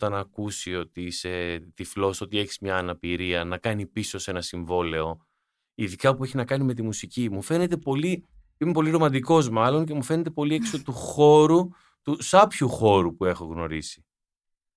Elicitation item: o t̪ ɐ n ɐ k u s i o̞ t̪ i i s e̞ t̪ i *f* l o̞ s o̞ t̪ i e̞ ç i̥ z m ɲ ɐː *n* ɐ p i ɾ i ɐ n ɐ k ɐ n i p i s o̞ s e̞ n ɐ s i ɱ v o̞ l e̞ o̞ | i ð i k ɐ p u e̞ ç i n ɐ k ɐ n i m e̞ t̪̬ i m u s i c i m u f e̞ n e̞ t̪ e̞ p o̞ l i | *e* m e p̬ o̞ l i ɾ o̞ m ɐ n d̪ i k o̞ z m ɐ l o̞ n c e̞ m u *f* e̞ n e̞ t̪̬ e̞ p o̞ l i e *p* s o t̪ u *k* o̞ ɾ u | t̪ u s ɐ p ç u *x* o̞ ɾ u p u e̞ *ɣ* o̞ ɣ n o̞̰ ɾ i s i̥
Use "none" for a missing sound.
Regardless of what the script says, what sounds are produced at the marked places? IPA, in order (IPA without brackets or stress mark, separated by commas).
f, n, i, f, k, x, x, x